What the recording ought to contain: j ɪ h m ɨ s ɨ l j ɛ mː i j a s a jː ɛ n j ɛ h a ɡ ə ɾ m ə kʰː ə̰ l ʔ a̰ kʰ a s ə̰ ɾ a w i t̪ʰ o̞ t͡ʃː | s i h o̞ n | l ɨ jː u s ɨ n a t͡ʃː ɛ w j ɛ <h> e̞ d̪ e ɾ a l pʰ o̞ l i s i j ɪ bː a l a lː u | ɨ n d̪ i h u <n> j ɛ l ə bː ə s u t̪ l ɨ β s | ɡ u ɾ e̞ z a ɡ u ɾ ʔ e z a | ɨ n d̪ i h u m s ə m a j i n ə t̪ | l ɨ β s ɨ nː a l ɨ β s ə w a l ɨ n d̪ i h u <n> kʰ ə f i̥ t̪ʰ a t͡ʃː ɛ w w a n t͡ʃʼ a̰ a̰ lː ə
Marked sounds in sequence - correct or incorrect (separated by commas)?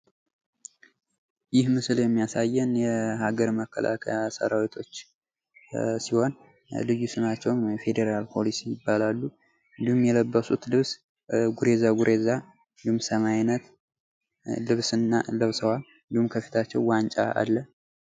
incorrect, incorrect, incorrect